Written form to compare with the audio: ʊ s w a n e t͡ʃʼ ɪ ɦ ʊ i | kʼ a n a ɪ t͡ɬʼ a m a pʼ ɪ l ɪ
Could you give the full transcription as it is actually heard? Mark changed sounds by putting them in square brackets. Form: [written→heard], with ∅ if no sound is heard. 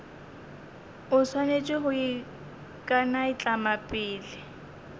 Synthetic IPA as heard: ʊ s w a n e t͡ʃʼ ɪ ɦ ʊ i | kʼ a n a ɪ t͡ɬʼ a m a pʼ [ɪ→ɪː] l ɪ